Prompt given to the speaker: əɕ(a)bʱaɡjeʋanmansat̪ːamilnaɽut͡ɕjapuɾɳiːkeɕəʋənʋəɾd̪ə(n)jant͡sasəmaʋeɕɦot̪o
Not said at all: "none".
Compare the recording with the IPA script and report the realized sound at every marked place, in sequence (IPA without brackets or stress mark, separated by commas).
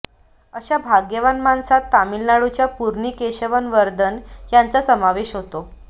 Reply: a, n